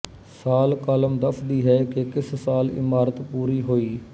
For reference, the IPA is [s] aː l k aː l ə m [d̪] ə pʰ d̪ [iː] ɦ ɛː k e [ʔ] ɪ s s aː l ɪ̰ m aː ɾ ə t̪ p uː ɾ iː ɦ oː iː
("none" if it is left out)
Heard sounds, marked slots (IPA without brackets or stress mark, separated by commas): s, d̪, iː, k